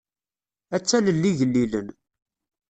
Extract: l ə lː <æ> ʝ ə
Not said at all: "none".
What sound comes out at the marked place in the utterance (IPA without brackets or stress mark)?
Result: i